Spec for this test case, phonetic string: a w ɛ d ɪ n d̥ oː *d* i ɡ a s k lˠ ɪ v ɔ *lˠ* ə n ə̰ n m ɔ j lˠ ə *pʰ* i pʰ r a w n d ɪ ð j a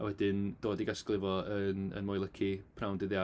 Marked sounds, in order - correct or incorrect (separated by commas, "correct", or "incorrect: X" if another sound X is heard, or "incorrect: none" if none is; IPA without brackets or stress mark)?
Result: correct, incorrect: none, incorrect: kʰ